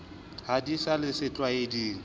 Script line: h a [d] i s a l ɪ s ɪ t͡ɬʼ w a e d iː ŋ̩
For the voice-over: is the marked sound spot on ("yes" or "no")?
yes